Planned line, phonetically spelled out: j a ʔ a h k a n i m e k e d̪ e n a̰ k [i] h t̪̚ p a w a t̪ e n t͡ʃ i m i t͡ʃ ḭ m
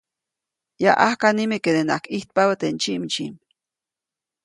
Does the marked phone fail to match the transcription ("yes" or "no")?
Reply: no